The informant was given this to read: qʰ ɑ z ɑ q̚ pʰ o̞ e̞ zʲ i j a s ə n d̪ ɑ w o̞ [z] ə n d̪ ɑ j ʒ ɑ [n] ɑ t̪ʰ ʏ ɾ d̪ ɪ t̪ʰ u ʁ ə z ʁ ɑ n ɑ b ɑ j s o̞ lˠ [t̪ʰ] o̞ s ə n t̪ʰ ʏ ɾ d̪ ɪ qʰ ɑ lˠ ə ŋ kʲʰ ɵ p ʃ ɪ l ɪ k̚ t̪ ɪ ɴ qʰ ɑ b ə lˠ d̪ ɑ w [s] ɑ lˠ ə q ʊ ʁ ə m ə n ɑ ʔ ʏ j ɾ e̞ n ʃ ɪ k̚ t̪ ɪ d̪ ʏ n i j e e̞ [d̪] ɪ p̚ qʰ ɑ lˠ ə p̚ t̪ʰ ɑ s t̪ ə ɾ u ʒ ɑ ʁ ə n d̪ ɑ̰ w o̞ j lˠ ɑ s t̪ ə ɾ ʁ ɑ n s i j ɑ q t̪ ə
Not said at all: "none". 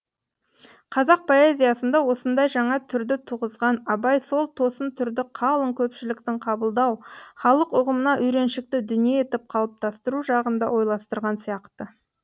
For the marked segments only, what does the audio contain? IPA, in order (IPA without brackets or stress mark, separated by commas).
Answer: s, ɴ, t̪ʰ, χ, t̪